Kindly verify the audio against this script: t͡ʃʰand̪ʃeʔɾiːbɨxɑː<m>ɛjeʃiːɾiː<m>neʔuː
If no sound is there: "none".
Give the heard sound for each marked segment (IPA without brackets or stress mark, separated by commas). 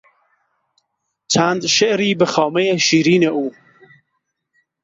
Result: m, none